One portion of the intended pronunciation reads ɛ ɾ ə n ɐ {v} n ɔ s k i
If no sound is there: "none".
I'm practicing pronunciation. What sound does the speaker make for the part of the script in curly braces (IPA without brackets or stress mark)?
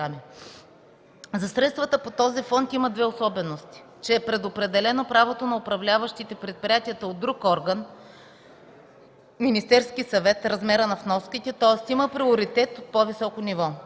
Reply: f